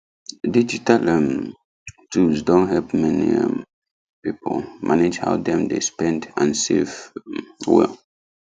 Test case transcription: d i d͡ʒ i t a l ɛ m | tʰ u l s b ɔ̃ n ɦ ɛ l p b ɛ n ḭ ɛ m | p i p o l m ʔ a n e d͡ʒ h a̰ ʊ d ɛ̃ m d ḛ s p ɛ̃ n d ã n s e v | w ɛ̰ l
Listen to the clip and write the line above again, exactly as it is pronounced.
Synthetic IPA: d i d͡ʒ i t a l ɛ m | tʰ u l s d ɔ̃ n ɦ ɛ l p m ɛ n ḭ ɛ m | p i p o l m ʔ a n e d͡ʒ h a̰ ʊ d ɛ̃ m d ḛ s p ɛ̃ n d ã n s e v | w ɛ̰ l